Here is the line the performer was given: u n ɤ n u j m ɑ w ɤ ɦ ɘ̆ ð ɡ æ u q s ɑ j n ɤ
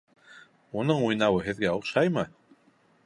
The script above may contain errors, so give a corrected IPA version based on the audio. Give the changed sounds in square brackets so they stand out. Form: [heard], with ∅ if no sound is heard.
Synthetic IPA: u n ɤ [ɴ] u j [n] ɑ w ɤ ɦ ɘ̆ ð ɡ æ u q [ʃ] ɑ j [m] ɤ